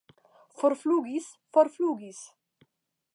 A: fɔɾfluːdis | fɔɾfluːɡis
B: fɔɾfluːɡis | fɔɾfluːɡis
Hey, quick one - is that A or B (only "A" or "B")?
B